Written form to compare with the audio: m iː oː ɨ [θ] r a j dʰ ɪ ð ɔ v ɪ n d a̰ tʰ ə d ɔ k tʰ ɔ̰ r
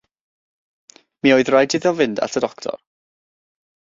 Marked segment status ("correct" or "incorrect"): incorrect